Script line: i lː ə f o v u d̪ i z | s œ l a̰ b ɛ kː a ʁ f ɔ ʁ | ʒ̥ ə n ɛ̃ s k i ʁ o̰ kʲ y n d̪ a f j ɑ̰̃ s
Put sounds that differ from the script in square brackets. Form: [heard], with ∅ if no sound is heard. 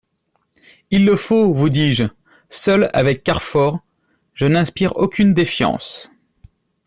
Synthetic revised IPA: i lː ə f o v u d̪ i [ʒ] | s œ l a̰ [v] ɛ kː a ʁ f ɔ ʁ | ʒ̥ ə n ɛ̃ s [p] i ʁ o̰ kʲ y n d̪ [e] f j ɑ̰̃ s